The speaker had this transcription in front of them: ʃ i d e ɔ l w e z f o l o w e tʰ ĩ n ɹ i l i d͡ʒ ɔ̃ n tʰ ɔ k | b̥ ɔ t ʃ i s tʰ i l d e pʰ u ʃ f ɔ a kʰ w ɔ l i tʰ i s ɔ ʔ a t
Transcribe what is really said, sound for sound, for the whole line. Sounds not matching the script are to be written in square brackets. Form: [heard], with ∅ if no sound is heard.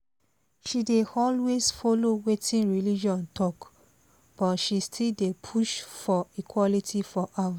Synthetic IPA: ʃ i d e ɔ l w e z f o l o w e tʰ ĩ n ɹ i l i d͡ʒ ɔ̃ n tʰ ɔ k | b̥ ɔ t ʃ i s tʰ i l d e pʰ u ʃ f ɔ [i] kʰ w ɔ l i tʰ i [f] ɔ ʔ a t